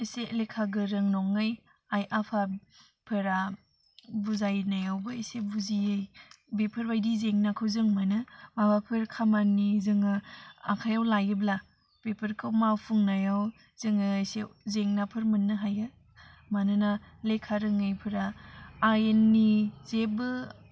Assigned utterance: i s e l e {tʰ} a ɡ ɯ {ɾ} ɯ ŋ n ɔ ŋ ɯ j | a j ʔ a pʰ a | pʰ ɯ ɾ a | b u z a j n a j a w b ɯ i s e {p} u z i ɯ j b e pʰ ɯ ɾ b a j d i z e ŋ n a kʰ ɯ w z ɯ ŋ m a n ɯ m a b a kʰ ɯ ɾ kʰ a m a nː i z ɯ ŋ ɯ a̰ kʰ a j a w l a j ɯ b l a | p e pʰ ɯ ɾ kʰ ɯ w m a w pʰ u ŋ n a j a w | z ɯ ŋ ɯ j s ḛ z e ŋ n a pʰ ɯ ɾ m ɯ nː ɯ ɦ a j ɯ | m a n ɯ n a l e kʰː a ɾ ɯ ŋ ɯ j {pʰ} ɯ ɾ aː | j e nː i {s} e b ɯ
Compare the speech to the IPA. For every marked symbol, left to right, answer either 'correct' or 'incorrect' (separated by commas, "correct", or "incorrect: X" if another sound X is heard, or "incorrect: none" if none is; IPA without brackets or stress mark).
incorrect: kʰ, correct, incorrect: b, correct, incorrect: z